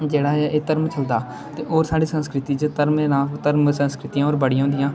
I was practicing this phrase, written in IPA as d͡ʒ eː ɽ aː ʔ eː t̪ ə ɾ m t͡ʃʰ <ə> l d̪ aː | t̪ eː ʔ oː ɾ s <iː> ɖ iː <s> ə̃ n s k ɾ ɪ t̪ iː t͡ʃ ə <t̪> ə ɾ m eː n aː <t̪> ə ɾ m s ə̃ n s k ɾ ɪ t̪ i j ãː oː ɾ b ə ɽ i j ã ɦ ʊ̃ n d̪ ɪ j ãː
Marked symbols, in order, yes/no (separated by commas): yes, no, yes, yes, yes